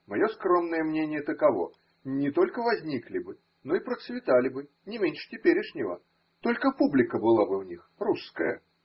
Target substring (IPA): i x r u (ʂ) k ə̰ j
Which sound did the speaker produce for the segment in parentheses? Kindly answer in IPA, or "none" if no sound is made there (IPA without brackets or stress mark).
s